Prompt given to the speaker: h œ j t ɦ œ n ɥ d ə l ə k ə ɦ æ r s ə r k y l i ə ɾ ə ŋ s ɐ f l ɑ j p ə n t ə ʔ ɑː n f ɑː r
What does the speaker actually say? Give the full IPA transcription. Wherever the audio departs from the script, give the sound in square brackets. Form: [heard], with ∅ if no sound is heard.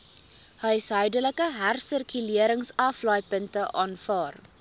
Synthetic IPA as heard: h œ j [s] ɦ œ [∅] ɥ d ə l ə k ə ɦ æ r s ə r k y l i ə ɾ ə ŋ s ɐ f l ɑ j p ə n t ə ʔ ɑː n f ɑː r